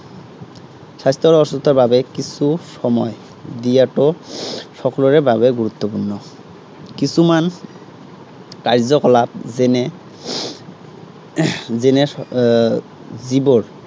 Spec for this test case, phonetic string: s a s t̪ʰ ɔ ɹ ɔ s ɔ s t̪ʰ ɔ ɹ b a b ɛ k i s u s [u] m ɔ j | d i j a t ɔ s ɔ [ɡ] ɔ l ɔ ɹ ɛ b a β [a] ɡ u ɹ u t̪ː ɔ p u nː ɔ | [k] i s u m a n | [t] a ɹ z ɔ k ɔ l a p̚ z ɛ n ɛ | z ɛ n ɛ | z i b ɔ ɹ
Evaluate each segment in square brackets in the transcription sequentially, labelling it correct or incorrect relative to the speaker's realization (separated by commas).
incorrect, incorrect, incorrect, correct, incorrect